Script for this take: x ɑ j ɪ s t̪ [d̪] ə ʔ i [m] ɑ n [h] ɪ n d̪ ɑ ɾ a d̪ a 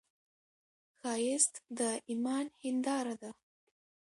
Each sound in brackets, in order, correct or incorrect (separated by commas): correct, correct, correct